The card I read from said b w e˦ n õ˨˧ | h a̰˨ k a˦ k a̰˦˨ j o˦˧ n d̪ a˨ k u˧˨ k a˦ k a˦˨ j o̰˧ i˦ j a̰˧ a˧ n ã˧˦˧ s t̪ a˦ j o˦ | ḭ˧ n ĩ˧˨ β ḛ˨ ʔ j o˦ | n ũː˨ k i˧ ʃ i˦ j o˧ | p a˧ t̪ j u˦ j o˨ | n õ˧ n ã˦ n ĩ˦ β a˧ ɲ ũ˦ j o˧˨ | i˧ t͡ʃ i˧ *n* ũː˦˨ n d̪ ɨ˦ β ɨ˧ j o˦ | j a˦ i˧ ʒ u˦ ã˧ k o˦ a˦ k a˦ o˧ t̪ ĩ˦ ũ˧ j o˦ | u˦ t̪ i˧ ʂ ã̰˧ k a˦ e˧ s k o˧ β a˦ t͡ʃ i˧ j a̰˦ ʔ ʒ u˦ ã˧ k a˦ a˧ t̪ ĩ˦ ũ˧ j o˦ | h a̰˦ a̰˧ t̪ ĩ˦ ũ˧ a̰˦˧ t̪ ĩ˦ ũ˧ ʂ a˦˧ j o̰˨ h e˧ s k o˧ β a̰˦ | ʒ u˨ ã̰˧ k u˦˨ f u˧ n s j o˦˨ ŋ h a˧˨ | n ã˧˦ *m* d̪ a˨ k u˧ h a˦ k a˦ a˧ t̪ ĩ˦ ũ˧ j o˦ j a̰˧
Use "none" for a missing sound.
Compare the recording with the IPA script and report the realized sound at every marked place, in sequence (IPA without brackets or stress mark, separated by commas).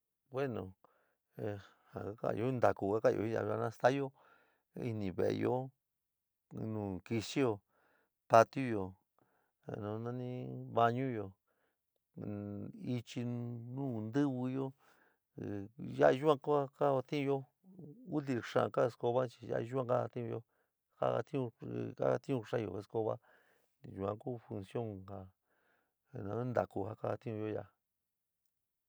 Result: n, n